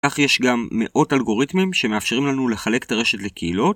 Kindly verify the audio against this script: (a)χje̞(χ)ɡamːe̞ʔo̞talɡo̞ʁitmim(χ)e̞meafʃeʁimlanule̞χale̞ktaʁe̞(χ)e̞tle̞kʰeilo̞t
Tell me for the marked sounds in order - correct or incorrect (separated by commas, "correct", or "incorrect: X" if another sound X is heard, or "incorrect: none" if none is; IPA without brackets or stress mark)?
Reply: correct, incorrect: ʃ, incorrect: ʃ, incorrect: ʃ